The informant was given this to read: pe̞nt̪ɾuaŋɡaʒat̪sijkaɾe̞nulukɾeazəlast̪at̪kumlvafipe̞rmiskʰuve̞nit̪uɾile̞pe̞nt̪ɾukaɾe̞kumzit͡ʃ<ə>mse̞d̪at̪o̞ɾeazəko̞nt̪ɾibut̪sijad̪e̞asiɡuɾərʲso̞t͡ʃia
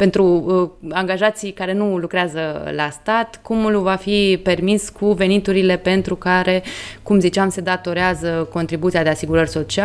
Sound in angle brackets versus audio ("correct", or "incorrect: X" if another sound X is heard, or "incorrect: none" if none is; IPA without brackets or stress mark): incorrect: a